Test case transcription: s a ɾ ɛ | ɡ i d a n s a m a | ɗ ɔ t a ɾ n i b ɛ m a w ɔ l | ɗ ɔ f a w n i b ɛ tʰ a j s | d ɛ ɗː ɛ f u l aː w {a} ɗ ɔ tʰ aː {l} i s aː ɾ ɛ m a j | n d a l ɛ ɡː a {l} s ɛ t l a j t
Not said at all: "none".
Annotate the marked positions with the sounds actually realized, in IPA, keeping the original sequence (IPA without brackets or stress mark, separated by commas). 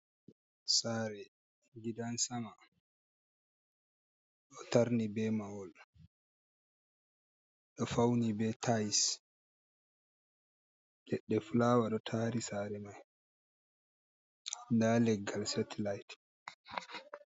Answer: a, ɾ, l